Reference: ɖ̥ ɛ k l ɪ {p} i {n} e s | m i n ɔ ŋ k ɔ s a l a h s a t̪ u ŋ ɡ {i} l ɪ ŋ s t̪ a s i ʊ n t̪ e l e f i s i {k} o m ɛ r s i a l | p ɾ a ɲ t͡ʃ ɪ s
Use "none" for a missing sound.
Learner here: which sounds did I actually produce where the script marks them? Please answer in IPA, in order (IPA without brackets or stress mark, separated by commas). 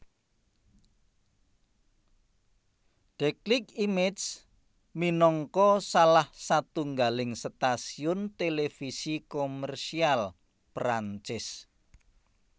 k, m, a, k